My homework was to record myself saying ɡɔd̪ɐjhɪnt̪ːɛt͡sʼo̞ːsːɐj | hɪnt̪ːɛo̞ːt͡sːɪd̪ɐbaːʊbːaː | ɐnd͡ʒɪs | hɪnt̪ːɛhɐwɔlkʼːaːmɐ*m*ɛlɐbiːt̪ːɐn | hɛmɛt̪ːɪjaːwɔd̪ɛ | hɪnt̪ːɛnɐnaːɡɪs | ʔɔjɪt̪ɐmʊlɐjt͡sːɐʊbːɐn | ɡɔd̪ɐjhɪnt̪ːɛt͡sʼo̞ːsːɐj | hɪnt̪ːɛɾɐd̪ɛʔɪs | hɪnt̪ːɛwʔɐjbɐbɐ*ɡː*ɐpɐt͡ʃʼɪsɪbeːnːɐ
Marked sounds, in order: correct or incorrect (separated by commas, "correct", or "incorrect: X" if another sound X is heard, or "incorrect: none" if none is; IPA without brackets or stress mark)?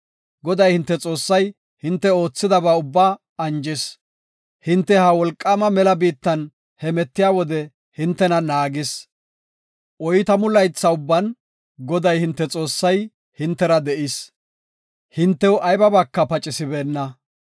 correct, incorrect: kː